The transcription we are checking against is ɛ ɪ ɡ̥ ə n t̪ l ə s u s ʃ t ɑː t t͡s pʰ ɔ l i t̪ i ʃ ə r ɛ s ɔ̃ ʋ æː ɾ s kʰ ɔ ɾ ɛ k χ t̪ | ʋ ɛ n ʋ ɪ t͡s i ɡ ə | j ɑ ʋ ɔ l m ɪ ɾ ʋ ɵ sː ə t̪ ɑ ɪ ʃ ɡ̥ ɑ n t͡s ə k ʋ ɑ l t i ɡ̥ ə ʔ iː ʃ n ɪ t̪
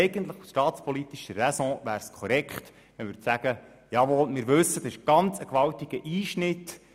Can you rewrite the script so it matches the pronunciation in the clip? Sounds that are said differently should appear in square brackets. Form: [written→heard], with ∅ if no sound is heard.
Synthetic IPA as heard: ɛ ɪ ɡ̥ ə n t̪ l ə [s→χ] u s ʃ t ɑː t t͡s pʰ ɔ l i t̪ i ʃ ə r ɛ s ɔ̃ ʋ æː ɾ s kʰ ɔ ɾ ɛ k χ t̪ | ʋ ɛ n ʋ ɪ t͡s [i→æ] ɡ ə | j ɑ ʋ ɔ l m ɪ ɾ ʋ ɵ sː ə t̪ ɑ ɪ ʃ ɡ̥ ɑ n t͡s ə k ʋ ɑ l t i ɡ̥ ə ʔ iː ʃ n ɪ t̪